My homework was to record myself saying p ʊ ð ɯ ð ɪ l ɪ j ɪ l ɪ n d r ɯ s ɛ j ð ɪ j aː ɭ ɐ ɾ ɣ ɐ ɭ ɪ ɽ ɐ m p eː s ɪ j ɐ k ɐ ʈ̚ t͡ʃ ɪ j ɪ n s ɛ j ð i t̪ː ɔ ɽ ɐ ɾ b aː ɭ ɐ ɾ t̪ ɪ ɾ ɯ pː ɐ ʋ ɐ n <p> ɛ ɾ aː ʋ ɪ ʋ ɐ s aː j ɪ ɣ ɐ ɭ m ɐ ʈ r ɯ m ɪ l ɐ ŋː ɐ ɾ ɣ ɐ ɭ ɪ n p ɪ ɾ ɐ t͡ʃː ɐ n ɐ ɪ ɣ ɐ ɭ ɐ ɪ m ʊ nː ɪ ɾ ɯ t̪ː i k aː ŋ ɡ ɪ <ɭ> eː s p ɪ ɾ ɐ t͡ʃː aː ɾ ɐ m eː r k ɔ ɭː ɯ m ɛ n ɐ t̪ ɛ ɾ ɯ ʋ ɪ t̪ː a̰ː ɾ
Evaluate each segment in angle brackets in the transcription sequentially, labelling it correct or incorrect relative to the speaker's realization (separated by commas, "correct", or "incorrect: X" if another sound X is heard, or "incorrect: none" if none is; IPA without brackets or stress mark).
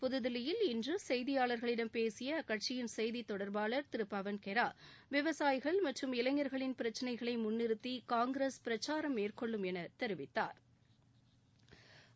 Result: incorrect: k, incorrect: ɾ